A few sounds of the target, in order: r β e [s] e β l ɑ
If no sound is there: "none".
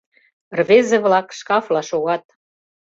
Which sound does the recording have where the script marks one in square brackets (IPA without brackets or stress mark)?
z